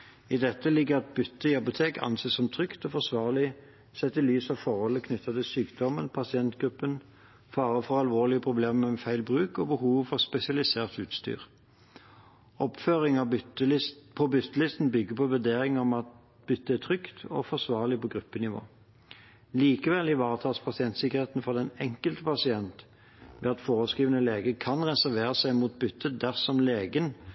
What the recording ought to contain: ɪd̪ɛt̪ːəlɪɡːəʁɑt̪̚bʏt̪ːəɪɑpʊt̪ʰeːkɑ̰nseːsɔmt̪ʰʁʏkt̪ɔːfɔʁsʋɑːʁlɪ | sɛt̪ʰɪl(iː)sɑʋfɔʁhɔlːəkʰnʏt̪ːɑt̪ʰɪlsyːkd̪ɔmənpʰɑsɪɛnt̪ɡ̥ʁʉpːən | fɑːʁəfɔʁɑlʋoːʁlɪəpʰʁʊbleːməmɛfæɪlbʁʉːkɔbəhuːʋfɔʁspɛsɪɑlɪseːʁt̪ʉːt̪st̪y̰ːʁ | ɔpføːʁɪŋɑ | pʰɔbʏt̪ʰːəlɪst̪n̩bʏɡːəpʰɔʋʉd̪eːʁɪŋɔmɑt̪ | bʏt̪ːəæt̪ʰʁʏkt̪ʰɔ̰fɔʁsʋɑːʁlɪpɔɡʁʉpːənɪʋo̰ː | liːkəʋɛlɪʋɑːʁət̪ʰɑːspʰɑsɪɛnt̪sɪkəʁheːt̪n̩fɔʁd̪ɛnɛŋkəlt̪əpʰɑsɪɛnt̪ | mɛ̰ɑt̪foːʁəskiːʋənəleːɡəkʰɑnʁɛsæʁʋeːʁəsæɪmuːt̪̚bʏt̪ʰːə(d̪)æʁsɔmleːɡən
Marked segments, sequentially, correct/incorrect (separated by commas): incorrect, correct